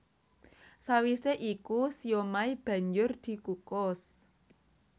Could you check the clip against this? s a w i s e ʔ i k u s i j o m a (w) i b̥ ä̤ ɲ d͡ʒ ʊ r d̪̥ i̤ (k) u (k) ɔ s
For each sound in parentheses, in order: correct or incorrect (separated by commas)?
incorrect, correct, correct